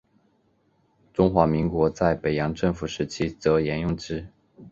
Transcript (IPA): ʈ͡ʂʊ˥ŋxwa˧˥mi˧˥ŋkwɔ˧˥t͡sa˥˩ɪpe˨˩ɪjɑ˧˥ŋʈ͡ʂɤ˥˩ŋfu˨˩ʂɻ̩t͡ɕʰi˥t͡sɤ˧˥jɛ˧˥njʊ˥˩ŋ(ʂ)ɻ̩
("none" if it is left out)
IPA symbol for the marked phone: ʈ͡ʂ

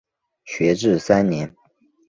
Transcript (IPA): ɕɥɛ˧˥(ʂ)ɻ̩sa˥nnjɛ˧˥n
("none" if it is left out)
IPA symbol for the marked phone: ʈ͡ʂ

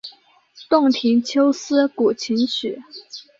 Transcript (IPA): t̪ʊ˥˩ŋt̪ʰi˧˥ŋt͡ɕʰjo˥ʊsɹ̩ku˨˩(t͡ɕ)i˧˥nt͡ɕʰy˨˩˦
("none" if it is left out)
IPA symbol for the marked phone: t͡ɕʰ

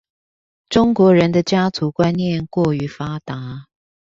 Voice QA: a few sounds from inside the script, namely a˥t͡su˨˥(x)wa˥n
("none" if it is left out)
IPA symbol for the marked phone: k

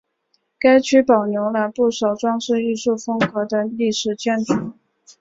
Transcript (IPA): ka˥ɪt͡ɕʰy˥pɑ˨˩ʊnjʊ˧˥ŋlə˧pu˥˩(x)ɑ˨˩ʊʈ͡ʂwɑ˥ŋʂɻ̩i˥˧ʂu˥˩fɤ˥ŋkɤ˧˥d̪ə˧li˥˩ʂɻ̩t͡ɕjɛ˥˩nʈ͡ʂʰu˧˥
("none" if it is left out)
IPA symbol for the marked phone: ʂ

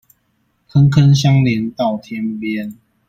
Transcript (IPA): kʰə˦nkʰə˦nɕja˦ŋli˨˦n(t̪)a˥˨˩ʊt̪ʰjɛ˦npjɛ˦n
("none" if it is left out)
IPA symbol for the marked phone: t̪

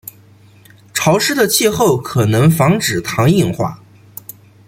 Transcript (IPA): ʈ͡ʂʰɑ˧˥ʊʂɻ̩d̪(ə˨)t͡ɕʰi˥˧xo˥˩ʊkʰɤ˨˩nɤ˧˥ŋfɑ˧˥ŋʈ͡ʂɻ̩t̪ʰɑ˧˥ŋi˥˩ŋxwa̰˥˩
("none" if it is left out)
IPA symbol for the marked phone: ə˨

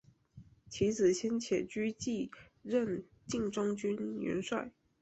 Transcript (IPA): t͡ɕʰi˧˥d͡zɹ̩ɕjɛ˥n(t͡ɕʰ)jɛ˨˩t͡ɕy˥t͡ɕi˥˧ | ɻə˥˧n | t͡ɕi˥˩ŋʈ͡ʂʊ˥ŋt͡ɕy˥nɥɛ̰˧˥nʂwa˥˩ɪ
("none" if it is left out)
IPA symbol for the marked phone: t͡ɕʰ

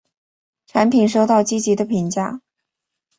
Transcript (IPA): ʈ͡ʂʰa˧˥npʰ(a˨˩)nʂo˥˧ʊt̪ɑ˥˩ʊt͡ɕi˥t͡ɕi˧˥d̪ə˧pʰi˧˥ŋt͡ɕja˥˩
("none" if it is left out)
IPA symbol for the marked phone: i˨˩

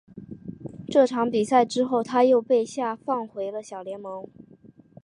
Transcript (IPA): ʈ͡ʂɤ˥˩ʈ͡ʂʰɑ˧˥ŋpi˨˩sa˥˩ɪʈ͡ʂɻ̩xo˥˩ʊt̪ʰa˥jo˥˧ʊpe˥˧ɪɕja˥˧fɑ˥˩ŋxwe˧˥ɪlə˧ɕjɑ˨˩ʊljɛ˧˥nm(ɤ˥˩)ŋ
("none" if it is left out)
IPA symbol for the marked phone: ɤ˧˥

